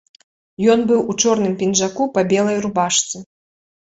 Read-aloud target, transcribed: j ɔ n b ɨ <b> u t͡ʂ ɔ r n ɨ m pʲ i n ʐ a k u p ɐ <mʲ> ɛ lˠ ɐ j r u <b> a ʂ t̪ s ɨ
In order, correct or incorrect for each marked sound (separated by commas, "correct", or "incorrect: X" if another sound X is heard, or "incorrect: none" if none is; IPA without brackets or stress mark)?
incorrect: w, incorrect: bʲ, correct